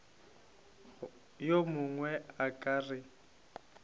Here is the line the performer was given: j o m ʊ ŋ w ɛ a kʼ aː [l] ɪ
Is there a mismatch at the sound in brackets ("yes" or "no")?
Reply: yes